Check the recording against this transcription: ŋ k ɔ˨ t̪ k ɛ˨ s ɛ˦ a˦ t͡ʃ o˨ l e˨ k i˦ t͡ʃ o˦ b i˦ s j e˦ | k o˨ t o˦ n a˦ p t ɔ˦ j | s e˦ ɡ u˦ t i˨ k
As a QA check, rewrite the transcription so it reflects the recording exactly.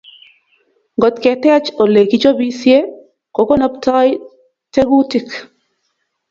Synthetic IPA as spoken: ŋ ɡ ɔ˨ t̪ k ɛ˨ t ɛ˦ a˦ t͡ʃ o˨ l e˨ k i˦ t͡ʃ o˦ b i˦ s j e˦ | k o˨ k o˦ n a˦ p t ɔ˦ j | t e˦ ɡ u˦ t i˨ k